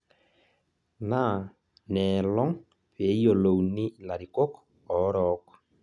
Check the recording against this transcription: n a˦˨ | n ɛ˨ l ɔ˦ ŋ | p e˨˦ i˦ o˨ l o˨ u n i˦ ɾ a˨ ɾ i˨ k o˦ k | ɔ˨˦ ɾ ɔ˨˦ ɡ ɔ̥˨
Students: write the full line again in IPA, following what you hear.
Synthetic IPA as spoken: n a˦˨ | n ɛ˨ l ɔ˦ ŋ | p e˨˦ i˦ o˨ l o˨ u n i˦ l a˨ ɾ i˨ k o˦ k | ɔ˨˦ ɾ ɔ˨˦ k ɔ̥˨